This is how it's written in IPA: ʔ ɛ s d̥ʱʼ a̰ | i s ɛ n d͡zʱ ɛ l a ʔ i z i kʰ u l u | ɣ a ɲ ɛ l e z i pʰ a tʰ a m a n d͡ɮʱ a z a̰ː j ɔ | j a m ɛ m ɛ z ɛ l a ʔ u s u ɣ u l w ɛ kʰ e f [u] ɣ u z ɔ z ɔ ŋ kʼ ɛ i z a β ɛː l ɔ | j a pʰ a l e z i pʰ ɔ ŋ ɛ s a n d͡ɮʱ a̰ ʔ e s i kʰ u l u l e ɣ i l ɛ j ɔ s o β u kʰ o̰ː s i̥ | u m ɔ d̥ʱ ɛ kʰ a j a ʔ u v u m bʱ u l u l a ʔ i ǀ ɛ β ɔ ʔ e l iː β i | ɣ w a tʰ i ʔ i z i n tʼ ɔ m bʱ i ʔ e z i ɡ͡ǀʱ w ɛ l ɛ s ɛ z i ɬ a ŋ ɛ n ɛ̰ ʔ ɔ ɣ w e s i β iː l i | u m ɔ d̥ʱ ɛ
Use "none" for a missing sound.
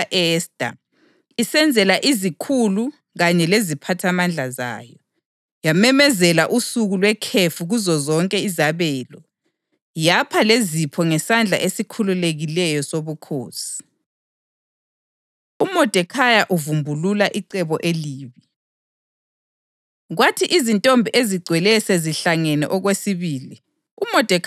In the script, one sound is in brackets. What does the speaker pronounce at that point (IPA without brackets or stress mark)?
u